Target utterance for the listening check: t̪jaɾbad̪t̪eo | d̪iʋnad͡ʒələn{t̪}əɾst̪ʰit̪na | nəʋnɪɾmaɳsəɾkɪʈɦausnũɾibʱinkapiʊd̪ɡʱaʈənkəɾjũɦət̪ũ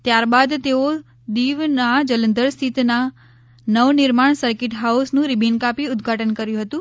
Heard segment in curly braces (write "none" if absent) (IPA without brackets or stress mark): d̪